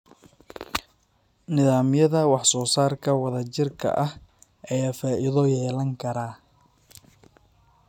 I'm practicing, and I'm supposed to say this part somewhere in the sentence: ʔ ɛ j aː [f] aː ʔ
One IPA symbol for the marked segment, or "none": f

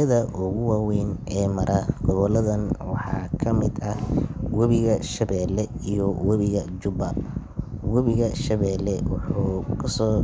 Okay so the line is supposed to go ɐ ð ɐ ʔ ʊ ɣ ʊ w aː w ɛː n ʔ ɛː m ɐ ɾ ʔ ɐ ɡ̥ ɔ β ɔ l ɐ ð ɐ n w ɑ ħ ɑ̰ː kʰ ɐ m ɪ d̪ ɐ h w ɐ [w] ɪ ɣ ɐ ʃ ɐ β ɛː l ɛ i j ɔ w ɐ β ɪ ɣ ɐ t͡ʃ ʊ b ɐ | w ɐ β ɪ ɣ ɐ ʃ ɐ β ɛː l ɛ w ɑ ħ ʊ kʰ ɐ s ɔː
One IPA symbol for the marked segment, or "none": β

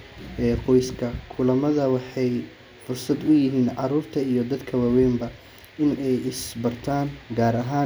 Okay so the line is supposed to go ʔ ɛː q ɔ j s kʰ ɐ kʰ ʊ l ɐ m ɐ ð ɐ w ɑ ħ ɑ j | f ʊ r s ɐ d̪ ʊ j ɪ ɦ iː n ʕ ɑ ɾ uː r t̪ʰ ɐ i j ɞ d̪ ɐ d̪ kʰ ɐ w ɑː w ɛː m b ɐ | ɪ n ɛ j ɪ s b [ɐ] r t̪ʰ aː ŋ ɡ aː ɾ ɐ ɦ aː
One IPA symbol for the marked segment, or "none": ɐ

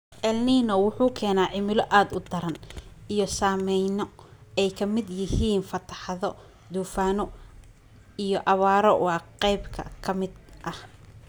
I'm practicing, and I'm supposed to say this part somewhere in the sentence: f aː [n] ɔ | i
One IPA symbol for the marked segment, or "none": n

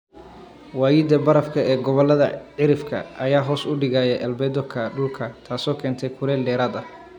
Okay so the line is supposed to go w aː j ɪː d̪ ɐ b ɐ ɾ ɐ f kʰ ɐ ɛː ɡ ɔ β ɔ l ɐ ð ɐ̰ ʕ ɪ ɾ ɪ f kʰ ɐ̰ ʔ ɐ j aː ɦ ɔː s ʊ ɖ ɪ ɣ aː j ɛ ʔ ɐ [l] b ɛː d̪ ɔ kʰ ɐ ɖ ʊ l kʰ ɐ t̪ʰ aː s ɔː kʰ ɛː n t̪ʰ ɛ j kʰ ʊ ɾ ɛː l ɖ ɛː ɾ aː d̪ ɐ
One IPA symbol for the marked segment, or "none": l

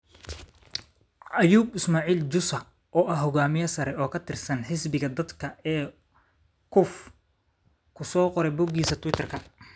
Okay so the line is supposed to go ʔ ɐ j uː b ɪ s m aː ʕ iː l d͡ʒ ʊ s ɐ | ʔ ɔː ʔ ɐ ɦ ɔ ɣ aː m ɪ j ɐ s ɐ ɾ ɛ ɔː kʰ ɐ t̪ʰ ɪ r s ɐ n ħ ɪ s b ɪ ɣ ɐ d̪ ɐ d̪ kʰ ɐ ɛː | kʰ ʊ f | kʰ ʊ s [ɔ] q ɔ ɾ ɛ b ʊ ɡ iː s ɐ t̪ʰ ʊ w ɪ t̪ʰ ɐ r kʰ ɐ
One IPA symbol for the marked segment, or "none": ɔː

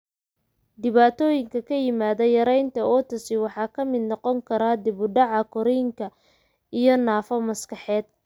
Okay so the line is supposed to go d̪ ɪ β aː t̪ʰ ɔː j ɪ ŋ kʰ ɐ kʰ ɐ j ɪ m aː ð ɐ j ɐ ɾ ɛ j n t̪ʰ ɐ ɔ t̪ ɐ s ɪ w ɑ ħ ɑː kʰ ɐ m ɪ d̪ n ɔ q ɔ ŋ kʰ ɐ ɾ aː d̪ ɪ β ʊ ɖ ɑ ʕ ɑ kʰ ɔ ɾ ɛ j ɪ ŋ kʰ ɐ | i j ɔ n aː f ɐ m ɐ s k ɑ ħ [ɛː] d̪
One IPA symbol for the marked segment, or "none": ɛː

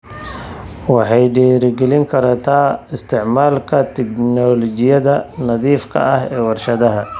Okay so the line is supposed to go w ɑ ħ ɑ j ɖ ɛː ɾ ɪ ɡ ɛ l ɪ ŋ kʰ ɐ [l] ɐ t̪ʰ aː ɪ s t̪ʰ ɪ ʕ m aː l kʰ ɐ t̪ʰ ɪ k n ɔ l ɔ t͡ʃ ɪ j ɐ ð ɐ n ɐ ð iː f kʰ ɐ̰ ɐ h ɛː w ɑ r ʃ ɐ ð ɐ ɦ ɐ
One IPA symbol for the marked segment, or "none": ɾ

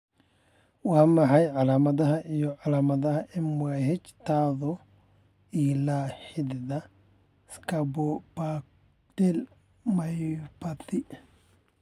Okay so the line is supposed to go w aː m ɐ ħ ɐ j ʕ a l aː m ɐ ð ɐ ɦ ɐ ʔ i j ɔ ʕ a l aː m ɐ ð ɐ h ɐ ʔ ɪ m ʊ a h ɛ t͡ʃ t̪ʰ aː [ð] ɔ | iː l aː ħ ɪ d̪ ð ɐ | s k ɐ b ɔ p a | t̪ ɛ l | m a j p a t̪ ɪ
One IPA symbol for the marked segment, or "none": ð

